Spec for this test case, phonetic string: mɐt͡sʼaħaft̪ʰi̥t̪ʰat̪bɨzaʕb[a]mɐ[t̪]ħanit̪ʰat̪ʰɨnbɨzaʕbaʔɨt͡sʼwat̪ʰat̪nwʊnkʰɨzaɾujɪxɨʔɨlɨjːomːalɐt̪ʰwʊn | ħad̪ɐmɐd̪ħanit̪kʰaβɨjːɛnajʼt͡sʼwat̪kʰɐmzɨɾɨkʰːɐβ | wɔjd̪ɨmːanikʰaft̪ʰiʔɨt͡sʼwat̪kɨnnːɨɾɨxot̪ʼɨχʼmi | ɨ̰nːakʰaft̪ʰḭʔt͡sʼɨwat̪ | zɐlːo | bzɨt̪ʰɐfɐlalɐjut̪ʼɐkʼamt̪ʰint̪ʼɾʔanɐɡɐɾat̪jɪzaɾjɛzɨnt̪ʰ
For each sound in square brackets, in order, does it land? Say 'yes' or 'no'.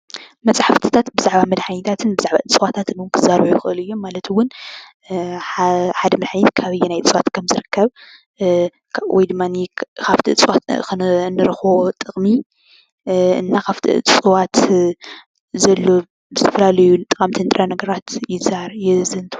yes, no

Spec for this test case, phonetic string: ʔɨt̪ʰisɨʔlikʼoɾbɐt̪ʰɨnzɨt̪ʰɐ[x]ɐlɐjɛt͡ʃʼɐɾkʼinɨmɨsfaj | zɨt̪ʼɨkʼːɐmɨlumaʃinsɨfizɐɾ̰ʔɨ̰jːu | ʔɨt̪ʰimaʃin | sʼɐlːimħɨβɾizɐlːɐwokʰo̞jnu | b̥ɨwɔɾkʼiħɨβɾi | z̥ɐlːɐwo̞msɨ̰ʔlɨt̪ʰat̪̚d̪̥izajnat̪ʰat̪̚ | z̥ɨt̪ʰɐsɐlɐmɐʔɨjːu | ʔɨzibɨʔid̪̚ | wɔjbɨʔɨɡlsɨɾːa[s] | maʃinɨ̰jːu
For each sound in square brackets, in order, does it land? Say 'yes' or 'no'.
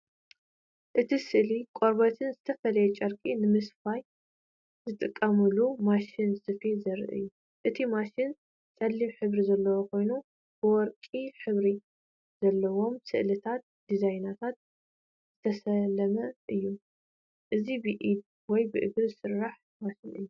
no, no

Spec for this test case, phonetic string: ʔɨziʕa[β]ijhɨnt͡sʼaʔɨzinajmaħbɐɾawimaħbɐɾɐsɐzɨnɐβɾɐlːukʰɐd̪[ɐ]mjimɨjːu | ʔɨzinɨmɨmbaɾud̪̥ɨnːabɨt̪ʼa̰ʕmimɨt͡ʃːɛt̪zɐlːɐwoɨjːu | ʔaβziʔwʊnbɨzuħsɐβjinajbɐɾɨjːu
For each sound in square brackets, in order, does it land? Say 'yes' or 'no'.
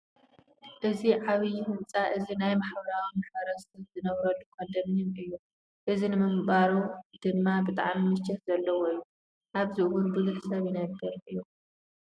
yes, yes

